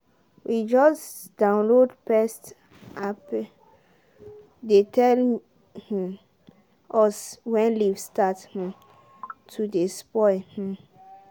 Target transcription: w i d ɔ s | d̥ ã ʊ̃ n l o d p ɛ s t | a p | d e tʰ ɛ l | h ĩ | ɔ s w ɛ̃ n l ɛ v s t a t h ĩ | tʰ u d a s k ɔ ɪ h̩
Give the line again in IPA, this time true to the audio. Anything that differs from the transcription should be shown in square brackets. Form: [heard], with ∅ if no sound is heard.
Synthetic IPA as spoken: w i [d͡ʒ] ɔ s | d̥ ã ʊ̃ n l o d p ɛ s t | a p | d e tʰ ɛ l | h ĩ | ɔ s w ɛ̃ n l [i] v s t a t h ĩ | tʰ u d [e] s [p] ɔ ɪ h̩